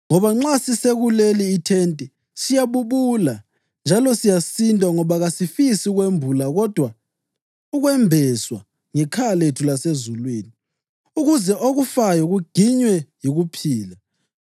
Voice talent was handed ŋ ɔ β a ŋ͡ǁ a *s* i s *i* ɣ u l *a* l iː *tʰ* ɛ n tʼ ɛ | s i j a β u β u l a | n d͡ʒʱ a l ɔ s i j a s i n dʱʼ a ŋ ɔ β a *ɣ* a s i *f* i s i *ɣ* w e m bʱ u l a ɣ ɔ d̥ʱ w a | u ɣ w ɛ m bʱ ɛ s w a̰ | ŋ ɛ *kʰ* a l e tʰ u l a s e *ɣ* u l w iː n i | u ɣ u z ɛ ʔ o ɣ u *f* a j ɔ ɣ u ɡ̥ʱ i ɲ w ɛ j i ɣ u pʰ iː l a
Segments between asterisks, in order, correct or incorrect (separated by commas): correct, incorrect, incorrect, correct, correct, correct, correct, correct, incorrect, correct